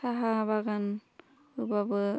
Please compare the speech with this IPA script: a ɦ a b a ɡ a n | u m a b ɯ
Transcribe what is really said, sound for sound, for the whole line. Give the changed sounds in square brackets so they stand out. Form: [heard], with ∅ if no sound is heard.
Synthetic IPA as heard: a ɦ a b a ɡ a n | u [b] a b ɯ